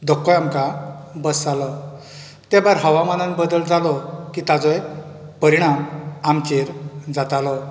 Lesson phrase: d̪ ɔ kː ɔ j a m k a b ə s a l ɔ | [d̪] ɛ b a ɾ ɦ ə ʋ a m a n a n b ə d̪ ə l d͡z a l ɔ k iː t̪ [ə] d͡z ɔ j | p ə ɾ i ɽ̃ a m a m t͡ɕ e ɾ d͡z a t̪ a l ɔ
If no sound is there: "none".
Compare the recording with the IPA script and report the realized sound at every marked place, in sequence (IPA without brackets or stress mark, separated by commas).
t̪, a